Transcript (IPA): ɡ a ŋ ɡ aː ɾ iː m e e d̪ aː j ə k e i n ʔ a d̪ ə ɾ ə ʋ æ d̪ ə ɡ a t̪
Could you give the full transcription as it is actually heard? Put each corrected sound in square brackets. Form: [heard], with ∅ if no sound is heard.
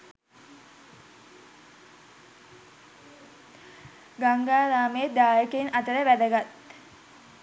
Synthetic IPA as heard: ɡ a ŋ ɡ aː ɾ [aː] m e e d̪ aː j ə k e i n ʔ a [t̪] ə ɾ ə ʋ æ d̪ ə ɡ a t̪